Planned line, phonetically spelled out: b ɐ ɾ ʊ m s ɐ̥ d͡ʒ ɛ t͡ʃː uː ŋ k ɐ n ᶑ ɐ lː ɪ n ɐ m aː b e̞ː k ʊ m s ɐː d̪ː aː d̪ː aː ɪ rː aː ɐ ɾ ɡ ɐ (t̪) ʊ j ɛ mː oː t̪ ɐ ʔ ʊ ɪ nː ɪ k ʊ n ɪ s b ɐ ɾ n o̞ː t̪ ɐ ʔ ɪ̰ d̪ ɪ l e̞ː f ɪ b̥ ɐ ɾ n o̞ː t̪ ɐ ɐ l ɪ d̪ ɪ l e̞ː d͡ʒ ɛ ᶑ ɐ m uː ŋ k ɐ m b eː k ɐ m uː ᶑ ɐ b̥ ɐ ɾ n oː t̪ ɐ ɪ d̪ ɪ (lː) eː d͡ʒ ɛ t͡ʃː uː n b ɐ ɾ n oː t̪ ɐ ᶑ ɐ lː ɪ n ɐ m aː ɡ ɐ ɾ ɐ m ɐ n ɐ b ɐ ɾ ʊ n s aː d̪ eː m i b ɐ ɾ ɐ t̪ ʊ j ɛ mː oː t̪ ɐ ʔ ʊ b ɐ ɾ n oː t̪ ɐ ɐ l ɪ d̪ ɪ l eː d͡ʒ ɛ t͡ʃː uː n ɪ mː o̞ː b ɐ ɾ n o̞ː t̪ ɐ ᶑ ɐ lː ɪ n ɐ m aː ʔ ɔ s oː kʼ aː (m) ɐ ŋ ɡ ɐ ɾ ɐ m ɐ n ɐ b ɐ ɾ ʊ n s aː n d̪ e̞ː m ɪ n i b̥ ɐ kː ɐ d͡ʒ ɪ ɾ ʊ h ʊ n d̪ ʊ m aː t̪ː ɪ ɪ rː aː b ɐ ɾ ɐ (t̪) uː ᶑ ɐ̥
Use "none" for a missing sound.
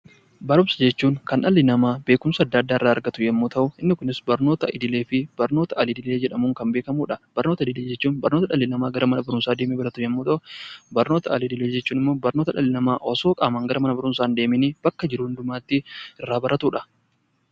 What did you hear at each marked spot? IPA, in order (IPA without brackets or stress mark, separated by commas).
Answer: t̪, l, m, t̪